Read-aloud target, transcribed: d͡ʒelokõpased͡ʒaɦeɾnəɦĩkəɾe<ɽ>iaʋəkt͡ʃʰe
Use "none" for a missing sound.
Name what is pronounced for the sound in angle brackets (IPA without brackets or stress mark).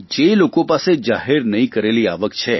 l